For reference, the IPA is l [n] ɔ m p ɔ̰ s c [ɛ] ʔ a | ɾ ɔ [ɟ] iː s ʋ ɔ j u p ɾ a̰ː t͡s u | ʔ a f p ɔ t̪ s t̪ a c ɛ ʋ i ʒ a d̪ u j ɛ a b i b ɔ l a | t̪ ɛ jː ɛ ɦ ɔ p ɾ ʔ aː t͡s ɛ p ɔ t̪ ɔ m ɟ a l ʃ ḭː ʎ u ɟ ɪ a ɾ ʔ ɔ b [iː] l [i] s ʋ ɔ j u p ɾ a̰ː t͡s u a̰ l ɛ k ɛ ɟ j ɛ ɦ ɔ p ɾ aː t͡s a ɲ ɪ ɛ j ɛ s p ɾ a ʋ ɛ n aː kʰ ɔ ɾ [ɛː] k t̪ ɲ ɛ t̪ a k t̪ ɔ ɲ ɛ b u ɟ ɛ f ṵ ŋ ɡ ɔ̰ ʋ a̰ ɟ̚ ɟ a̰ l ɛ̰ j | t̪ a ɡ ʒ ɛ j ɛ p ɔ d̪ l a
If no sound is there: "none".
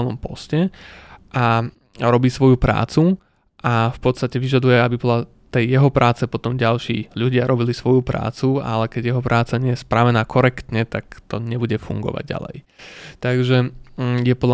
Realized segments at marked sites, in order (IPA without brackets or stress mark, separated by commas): n, ɛ, b, i, i, ɛ